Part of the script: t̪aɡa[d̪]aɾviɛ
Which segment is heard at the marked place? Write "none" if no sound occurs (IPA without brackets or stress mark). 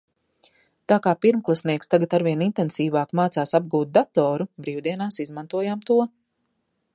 t̪